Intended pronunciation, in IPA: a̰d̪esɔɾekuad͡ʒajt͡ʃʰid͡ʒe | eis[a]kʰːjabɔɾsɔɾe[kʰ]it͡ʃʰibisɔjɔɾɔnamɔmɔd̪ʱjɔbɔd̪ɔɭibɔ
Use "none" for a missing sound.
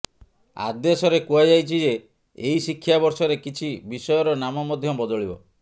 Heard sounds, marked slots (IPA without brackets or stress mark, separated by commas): i, k